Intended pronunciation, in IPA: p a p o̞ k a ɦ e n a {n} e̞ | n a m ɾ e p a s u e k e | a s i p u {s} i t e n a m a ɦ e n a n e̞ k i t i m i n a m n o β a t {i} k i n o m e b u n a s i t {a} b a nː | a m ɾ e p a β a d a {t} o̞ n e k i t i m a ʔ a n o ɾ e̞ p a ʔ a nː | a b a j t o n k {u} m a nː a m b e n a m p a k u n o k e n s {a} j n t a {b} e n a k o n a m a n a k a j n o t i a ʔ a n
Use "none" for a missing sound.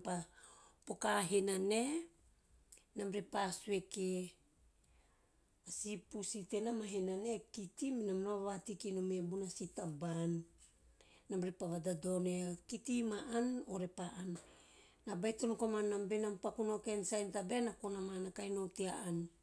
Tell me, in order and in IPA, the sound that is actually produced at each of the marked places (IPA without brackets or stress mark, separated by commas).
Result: n, s, i, a, d, o, a, b